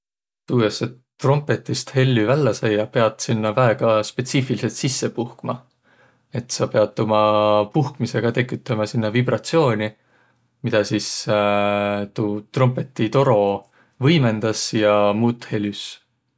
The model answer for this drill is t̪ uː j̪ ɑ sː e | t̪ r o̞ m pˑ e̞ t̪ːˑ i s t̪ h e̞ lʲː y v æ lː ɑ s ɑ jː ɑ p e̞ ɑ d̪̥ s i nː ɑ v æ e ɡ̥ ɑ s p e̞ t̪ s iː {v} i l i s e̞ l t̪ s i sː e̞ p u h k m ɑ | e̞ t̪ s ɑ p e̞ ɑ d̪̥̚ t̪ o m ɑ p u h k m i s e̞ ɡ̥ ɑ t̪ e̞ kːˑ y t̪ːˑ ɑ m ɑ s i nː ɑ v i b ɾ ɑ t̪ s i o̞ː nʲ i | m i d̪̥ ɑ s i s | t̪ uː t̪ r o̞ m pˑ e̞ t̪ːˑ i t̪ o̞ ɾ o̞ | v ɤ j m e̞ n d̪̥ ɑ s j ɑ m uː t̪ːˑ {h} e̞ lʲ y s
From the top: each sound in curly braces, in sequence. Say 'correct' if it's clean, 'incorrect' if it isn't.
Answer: incorrect: f, correct

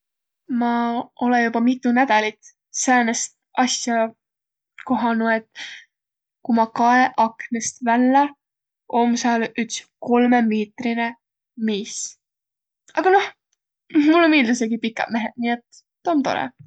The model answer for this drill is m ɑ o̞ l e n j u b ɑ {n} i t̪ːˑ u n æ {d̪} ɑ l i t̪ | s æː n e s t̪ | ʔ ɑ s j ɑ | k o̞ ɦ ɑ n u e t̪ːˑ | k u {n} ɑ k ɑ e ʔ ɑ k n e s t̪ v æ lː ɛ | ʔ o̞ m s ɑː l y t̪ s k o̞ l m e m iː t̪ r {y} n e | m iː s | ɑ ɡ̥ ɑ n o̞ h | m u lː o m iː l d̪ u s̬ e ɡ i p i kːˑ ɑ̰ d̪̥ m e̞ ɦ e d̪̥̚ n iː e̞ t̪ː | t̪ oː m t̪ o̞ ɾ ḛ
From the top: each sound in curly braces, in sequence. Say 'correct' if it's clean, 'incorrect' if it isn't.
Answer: incorrect: m, correct, incorrect: m, incorrect: i

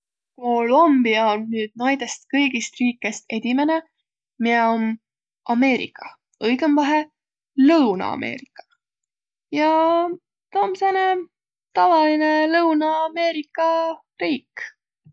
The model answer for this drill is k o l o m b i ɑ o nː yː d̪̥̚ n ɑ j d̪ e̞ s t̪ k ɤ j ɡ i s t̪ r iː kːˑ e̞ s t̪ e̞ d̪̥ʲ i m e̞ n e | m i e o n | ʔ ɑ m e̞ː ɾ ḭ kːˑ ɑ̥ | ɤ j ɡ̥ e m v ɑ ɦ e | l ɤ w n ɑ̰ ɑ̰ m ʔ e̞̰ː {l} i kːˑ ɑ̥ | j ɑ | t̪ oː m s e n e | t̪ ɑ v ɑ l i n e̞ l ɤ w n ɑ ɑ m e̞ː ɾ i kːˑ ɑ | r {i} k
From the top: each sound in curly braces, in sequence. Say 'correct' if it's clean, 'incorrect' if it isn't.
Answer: incorrect: ɾ, incorrect: iː

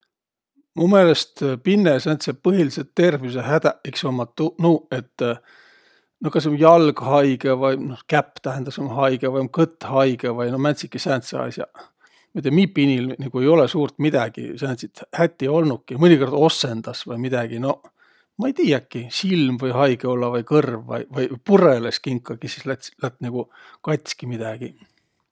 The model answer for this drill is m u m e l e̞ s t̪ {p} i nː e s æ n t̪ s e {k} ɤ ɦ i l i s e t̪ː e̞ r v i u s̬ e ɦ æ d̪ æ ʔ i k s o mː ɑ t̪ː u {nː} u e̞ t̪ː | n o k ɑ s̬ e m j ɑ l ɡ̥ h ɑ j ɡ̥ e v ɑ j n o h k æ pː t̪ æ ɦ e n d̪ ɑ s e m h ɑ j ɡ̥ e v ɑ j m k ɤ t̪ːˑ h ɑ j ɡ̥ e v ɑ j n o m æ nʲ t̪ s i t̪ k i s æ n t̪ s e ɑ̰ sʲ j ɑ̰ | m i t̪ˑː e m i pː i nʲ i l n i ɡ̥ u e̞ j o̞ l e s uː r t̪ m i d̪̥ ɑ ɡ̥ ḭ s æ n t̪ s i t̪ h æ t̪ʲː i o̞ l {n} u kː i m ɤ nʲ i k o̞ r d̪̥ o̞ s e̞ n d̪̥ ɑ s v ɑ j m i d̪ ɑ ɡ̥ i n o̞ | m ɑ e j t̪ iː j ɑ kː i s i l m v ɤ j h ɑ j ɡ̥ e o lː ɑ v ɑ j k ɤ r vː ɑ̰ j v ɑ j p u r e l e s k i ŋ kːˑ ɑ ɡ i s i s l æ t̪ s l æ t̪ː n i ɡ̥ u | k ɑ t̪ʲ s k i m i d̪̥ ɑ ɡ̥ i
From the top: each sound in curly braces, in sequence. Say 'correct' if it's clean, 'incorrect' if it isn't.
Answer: correct, incorrect: p, incorrect: n, correct

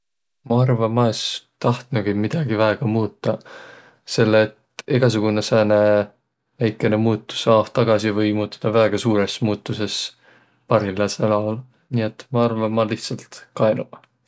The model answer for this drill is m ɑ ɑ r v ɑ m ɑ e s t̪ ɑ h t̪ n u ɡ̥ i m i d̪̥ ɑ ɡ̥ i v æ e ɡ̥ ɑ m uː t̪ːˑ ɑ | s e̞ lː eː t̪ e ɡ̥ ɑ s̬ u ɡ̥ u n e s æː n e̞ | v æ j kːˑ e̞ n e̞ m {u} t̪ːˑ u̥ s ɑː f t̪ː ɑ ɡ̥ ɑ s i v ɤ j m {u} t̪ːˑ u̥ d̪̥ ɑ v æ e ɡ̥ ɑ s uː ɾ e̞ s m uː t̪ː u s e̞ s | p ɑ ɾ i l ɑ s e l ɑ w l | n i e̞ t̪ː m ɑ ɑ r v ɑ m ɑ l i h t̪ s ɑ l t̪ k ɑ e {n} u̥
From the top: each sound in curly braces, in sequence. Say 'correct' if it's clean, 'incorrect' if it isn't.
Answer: incorrect: uː, incorrect: uː, correct

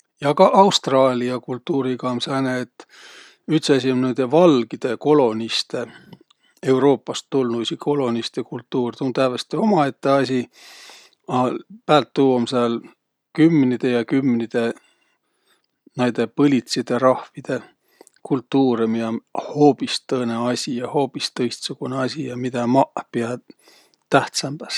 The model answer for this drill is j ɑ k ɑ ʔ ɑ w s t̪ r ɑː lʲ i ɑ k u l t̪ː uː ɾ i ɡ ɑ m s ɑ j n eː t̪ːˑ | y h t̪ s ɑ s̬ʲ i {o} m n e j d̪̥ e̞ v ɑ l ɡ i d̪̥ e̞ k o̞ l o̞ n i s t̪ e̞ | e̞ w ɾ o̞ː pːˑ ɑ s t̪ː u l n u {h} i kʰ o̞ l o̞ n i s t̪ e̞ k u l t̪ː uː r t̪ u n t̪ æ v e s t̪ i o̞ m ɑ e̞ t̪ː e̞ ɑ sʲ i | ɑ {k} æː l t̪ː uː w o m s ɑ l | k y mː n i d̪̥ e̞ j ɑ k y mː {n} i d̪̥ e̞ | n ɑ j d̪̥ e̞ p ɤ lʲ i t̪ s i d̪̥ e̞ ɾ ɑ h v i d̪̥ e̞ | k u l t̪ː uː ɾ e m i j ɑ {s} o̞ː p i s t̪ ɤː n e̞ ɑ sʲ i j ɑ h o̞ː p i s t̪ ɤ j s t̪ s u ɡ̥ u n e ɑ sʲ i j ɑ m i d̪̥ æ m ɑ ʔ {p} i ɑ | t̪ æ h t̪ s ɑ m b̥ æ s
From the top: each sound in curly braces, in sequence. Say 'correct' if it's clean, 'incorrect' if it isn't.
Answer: correct, incorrect: s, incorrect: p, correct, incorrect: h, correct

